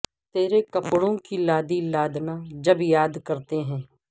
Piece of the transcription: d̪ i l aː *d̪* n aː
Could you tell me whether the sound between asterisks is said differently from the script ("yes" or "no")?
no